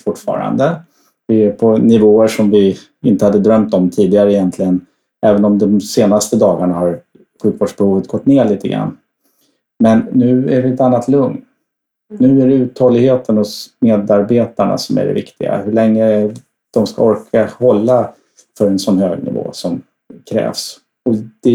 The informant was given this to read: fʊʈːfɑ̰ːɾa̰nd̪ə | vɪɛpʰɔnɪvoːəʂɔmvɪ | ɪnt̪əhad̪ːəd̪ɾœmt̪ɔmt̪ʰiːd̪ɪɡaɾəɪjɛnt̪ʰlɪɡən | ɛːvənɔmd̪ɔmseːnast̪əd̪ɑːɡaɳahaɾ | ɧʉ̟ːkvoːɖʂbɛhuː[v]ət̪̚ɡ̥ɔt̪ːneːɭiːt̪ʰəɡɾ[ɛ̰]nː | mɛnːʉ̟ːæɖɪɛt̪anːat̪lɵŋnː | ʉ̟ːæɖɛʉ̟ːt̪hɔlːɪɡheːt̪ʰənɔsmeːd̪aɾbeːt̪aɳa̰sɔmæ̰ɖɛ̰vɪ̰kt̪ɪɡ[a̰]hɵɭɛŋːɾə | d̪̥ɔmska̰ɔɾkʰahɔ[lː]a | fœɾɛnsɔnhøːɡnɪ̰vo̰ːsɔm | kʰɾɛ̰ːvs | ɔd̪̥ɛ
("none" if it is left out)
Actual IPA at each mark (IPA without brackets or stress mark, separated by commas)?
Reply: v, a̰, a̰, lː